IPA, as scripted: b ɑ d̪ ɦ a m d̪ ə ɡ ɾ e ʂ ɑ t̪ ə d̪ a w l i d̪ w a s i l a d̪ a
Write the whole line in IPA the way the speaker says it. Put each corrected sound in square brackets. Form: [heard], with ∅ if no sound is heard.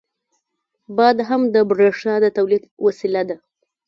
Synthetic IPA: b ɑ d̪ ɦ a m d̪ ə [b] ɾ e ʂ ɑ [d̪] ə [t̪] a w l i d̪ w a s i l a d̪ a

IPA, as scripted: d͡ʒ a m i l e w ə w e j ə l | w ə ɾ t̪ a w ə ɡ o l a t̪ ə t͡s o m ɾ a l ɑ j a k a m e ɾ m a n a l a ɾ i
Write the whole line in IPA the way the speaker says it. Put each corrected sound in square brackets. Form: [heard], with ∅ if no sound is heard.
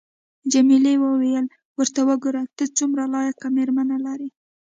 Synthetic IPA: d͡ʒ a m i l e w ə w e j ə l | w ə ɾ t̪ a w ə ɡ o [ɾ] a t̪ ə t͡s [u] m ɾ a l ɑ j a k a m e ɾ m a n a l a ɾ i

